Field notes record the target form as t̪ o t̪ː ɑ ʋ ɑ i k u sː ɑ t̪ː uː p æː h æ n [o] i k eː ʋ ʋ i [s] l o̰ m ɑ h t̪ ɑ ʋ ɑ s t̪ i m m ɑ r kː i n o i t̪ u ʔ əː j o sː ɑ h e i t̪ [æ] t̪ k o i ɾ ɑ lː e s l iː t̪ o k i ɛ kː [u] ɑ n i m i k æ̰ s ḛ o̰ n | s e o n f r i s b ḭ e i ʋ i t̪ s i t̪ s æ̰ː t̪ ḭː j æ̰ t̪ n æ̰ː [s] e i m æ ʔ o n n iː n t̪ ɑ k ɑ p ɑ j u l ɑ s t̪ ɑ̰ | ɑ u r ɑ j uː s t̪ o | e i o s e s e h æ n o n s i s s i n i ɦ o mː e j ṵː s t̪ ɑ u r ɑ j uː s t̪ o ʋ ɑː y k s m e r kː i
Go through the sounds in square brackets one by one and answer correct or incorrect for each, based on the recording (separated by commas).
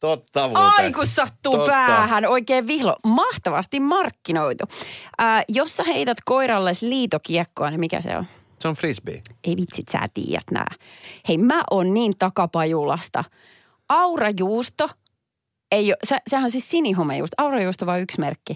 correct, incorrect, correct, incorrect, incorrect